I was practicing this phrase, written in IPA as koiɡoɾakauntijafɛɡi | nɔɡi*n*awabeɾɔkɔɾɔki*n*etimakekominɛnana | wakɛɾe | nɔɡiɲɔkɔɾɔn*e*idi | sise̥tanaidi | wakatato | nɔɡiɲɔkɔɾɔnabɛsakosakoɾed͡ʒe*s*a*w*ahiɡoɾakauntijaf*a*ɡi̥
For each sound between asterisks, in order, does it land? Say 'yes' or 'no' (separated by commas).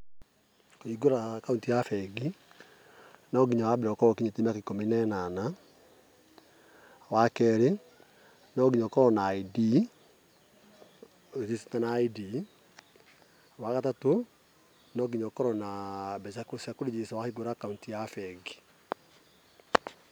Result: no, no, no, yes, yes, no